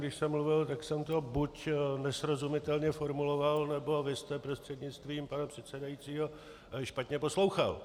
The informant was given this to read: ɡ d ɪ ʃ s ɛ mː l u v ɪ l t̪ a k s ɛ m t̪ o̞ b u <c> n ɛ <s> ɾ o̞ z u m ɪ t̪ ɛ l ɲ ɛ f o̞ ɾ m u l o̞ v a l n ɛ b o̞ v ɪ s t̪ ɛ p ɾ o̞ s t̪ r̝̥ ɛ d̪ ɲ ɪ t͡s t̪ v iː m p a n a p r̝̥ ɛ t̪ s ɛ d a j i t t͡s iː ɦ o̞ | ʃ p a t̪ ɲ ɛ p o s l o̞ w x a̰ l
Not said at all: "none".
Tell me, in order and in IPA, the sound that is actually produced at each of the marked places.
c, s

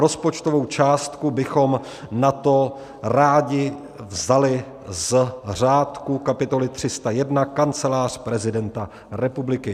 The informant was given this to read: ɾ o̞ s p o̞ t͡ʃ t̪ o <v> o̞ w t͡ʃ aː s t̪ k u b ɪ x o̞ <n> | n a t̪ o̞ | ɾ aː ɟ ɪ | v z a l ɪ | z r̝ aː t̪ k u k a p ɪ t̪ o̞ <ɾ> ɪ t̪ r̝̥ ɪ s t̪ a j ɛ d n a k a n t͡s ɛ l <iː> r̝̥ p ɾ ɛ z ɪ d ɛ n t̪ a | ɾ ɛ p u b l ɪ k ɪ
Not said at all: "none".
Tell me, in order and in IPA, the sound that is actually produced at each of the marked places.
v, m, l, aː

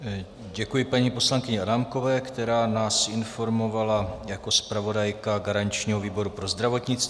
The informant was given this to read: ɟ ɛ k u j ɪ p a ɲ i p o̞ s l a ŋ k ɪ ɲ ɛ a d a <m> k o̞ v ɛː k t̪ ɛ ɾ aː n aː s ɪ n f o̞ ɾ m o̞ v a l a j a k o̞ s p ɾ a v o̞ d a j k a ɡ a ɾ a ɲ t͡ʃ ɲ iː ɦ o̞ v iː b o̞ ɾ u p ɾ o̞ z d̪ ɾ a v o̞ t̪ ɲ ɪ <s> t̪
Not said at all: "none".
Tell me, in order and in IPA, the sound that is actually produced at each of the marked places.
m, t͡s

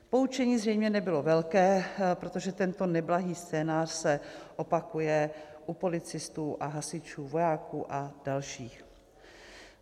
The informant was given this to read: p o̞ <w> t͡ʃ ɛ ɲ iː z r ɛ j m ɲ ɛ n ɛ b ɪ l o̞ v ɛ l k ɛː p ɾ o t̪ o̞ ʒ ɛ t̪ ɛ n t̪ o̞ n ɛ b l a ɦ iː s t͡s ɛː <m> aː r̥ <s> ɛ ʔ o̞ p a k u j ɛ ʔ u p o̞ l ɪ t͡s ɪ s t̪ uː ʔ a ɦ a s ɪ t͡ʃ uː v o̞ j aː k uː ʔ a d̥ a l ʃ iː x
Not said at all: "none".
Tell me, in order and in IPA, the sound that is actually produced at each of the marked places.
u, n, s

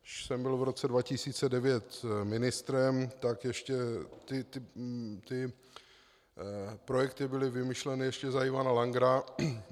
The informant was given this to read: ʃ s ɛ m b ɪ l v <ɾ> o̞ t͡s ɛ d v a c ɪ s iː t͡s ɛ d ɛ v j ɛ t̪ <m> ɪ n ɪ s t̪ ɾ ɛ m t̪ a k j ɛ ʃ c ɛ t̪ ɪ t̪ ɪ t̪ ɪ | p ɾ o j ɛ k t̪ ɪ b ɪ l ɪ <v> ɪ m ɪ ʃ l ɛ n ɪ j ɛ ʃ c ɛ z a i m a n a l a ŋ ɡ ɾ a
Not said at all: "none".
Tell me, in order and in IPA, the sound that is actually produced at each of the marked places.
ɾ, m, v

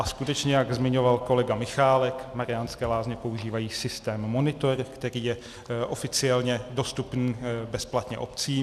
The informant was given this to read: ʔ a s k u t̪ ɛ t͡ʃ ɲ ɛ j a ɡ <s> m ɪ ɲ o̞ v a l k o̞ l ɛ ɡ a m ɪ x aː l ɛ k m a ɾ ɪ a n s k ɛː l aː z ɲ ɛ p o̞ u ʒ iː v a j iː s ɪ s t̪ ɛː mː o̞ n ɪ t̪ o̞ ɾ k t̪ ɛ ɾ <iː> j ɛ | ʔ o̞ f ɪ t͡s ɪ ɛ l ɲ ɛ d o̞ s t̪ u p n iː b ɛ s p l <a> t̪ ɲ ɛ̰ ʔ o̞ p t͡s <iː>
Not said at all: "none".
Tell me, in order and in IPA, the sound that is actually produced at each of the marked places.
z, iː, a, iː

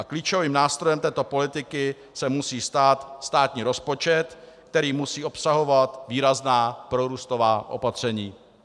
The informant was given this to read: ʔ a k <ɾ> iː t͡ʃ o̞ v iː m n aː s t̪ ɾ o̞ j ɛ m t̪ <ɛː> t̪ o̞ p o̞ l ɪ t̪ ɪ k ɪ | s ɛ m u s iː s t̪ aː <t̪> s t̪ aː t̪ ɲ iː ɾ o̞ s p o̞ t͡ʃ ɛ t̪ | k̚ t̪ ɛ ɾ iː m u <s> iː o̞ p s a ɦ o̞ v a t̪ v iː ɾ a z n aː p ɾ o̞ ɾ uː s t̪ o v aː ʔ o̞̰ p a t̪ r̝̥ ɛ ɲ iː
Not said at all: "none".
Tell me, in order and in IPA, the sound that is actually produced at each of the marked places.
l, ɛː, t̪, s

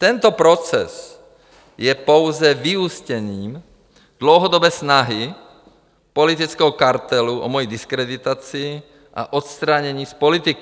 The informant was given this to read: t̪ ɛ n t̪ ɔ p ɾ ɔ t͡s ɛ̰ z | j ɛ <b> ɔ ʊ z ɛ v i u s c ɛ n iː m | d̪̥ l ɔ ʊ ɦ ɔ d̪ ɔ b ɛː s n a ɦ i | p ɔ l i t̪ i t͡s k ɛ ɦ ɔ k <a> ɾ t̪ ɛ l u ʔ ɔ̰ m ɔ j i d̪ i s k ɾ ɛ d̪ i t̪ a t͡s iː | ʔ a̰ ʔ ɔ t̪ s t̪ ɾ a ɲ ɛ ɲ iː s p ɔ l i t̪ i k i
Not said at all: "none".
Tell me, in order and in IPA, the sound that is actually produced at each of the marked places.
p, a

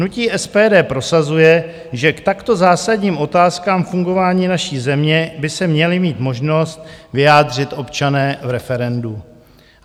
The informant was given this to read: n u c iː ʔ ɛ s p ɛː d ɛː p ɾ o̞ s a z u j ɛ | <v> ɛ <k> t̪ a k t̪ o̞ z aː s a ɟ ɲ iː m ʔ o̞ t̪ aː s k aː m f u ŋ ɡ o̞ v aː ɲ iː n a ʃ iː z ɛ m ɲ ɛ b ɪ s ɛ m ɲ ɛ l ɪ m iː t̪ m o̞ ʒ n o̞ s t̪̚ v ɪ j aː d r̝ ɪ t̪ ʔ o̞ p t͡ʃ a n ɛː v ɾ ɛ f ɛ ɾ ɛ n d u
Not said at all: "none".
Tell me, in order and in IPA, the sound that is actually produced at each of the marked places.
ʒ, k

